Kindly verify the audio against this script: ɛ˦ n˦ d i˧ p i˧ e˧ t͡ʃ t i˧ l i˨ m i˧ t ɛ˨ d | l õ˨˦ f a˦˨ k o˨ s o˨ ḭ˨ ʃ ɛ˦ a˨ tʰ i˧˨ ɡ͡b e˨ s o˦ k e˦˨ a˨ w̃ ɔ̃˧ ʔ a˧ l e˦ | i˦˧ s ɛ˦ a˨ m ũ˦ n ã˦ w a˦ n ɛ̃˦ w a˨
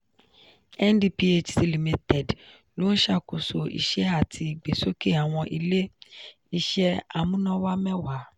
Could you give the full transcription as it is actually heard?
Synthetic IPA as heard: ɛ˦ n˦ d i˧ p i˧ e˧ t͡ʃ s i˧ l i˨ m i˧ t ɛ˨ d | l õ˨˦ ʃ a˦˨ k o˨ s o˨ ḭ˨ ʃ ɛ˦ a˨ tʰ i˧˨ ɡ͡b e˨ s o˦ k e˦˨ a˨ w̃ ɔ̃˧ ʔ i˧ l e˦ | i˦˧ ʃ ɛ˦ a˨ m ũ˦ n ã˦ w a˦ m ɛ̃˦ w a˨